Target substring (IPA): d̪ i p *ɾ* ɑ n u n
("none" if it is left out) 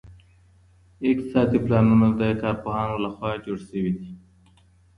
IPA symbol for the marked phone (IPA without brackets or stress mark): l